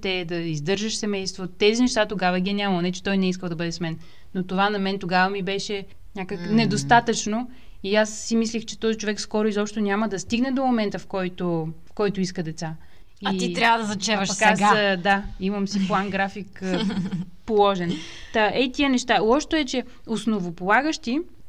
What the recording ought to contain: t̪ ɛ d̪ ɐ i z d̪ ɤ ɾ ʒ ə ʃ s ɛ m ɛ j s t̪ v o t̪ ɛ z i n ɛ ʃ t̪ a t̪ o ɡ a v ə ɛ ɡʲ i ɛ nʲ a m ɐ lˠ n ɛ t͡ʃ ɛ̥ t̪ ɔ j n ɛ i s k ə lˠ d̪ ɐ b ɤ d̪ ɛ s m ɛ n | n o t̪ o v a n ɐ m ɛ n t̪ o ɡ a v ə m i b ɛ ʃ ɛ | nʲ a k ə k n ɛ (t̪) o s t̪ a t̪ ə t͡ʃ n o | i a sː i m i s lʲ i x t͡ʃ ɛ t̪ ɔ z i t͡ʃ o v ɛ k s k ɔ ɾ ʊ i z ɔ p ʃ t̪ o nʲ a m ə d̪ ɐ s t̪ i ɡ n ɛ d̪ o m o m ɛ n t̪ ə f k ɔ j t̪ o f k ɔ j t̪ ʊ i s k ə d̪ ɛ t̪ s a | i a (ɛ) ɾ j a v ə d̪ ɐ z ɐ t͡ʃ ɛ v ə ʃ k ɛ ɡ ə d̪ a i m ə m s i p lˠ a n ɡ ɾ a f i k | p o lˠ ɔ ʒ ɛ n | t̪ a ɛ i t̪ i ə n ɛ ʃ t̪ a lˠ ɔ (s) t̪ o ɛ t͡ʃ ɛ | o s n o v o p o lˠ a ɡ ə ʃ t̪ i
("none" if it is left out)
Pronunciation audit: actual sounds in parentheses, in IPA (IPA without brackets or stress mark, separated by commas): d̪, i, ʃ